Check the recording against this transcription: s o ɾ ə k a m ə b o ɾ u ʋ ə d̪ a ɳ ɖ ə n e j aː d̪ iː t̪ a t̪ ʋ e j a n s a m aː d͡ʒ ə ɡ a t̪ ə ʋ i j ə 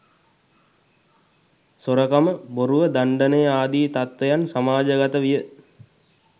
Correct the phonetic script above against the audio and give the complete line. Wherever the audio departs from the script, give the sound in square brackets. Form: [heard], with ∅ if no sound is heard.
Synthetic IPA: s o ɾ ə k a m ə b o ɾ u ʋ ə d̪ a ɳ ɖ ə n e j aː d̪ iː t̪ a t̪ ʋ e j a n s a m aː d͡ʒ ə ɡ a t̪ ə ʋ i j ə